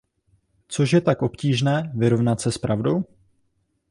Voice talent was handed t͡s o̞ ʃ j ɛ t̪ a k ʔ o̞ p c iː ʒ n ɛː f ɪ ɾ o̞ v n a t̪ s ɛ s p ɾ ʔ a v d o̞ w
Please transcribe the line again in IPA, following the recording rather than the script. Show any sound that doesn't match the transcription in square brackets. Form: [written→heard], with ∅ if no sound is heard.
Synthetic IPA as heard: t͡s o̞ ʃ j ɛ t̪ a k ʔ o̞ p c iː ʒ n ɛː [f→v] ɪ ɾ o̞ v n a t̪ s ɛ s p ɾ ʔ a v d o̞ w